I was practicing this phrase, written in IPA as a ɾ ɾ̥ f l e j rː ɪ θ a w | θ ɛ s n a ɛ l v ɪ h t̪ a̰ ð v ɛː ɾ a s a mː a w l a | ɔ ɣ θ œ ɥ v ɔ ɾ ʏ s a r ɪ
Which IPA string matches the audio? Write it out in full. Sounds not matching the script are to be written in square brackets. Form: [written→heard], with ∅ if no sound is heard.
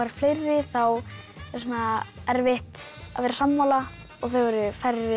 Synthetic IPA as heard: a ɾ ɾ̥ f l e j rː ɪ θ a w | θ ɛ s n a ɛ [l→ɾ] v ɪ h t̪ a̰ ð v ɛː ɾ a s a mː a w l a | ɔ ɣ θ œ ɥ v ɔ ɾ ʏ [s→f] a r ɪ